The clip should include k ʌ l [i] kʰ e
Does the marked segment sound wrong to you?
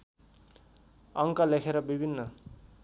yes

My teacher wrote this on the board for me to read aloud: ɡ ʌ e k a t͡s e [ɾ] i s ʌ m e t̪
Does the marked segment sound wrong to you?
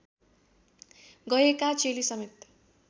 yes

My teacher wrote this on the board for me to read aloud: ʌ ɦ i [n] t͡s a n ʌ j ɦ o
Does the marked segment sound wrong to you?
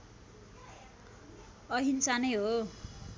no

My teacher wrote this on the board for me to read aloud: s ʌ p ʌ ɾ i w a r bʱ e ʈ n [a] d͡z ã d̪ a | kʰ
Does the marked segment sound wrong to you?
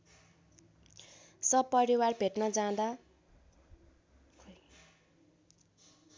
yes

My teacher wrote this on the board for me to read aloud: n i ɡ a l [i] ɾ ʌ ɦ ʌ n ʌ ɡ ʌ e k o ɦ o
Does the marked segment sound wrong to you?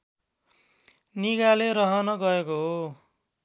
yes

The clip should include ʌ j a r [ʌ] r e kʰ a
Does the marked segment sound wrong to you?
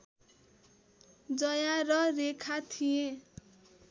no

